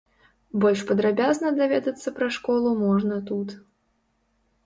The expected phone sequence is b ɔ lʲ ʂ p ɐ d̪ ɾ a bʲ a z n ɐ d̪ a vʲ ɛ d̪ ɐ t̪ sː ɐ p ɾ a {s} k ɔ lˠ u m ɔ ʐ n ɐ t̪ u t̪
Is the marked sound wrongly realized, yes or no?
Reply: yes